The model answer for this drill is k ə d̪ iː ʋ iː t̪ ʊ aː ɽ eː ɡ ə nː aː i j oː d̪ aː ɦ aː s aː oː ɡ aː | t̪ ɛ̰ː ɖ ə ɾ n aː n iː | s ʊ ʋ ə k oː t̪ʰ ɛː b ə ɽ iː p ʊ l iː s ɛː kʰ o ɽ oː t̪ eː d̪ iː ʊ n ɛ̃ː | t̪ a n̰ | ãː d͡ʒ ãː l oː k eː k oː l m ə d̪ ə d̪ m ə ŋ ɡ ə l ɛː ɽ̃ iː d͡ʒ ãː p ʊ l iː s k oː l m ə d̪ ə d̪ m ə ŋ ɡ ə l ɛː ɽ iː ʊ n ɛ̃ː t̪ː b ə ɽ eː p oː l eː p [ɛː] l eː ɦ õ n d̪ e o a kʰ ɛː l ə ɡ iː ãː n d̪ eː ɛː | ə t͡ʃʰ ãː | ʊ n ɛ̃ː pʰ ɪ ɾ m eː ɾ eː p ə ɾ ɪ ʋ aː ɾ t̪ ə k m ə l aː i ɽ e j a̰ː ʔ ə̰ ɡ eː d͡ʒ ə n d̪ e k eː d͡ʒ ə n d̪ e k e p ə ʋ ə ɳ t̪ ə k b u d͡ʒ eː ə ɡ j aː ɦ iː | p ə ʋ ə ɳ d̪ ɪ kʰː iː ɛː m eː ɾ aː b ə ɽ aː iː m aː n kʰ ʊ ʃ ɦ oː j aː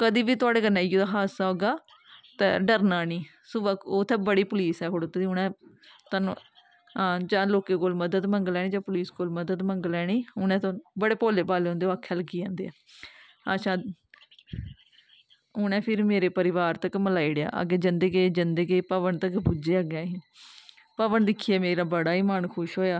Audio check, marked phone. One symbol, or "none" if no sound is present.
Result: aː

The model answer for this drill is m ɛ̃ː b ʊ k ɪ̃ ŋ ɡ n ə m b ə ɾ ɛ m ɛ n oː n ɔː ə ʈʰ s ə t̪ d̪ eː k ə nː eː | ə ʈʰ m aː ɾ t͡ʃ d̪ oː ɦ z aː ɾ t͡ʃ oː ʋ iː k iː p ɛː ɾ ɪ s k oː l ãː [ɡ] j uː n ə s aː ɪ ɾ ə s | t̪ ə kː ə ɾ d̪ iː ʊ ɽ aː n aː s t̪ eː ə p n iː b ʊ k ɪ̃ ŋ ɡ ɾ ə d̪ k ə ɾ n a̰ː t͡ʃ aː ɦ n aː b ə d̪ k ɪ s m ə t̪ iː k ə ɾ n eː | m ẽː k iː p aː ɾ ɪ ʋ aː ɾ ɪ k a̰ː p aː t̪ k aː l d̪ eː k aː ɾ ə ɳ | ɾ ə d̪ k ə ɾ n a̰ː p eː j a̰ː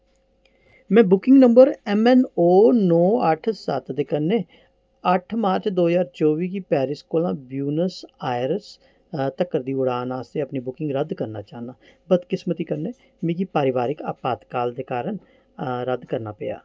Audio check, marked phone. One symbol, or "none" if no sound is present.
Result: b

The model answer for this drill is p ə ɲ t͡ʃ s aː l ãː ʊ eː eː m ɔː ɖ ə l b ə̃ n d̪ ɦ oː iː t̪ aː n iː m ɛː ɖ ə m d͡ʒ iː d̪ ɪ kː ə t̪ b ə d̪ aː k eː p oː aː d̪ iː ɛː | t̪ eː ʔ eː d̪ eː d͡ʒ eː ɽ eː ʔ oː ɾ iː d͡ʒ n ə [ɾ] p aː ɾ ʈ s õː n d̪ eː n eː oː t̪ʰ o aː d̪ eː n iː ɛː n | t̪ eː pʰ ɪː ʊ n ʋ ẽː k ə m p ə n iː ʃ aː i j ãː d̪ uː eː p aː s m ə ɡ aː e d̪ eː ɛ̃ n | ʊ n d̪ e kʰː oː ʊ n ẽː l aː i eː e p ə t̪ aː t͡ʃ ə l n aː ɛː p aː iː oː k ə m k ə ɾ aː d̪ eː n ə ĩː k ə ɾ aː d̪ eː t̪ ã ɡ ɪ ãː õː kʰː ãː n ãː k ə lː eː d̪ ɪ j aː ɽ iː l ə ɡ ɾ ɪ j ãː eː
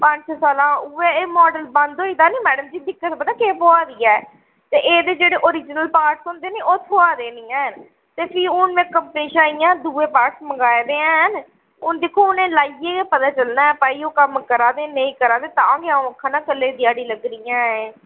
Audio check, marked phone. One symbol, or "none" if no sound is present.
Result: l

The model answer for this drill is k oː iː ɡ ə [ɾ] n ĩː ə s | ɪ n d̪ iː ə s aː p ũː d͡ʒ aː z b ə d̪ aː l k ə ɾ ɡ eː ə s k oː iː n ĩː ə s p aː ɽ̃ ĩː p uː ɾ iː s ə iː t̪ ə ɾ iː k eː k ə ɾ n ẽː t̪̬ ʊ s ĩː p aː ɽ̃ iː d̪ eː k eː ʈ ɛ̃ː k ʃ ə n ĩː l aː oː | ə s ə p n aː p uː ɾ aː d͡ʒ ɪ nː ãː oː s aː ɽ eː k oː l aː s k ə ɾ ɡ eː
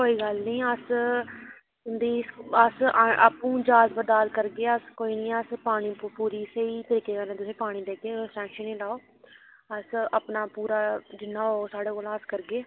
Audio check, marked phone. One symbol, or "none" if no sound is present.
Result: l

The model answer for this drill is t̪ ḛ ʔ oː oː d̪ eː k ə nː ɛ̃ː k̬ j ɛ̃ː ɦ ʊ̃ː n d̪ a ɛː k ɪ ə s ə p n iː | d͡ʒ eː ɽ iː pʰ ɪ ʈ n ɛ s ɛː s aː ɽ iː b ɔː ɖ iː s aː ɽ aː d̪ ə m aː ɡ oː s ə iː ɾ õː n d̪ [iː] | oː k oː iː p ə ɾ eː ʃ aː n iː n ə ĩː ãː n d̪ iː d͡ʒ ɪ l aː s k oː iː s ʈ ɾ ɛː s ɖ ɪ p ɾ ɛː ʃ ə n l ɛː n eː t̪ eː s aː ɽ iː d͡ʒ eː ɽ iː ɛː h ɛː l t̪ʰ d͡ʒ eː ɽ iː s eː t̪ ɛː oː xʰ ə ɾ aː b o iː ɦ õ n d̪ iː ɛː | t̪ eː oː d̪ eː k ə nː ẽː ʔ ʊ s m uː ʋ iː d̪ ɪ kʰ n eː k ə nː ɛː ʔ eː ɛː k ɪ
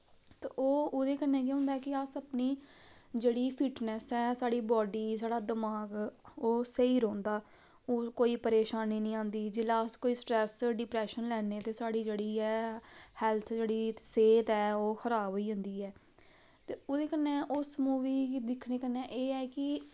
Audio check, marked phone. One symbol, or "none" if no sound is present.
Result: aː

